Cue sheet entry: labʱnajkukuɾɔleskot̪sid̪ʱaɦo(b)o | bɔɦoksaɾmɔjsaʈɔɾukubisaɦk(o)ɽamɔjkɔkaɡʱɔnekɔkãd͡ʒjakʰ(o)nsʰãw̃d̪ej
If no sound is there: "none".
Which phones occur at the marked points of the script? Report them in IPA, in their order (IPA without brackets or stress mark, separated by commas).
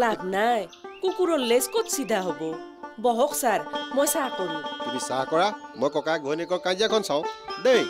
b, ɔ, ɔ